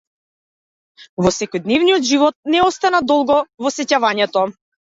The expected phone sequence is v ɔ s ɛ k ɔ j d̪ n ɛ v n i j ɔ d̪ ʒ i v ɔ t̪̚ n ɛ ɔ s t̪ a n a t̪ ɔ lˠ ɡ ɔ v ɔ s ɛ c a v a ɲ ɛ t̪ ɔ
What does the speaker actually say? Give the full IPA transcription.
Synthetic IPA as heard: v ɔ s ɛ k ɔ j d̪ n ɛ v n i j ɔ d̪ ʒ i v ɔ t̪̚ n ɛ ɔ s t̪ a n a d̪ ɔ lˠ ɡ ɔ v ɔ s ɛ c a v a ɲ ɛ t̪ ɔ